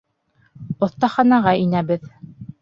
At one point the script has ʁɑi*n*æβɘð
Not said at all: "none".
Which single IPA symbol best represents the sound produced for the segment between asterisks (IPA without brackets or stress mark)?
n